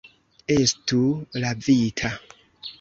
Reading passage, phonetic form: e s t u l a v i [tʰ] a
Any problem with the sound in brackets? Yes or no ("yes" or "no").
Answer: no